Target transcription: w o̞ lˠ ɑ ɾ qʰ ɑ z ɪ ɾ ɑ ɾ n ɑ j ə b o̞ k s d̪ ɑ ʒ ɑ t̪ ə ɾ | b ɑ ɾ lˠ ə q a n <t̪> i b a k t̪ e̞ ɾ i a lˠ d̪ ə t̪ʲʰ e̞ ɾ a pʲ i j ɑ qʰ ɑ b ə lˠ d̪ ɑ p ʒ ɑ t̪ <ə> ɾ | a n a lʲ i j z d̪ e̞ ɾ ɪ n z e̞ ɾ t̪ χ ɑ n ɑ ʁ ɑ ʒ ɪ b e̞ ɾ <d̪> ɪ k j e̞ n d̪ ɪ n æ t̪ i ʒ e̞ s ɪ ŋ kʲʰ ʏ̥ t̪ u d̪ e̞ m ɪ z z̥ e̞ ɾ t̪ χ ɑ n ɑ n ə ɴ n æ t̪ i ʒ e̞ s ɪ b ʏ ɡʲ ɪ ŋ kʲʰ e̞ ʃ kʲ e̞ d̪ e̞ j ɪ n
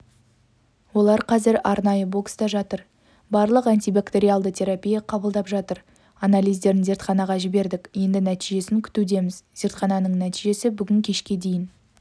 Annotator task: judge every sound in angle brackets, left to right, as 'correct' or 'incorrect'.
correct, correct, correct

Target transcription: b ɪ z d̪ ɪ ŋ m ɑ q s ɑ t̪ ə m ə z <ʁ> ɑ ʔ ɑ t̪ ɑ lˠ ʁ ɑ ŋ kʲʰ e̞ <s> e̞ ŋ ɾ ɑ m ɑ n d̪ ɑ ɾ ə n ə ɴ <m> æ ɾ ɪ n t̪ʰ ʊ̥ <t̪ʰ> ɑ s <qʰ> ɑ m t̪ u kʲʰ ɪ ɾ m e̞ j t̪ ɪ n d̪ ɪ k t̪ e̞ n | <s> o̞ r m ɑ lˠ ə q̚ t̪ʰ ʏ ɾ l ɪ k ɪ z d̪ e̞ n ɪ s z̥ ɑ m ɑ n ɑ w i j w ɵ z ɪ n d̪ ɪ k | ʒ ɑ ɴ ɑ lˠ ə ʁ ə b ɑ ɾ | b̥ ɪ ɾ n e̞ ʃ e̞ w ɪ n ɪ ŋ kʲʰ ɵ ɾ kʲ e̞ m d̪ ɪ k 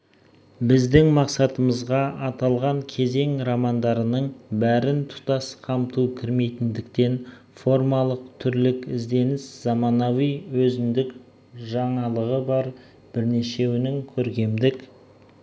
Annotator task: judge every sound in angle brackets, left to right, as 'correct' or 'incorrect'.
correct, incorrect: z, incorrect: b, incorrect: t̪, correct, incorrect: f

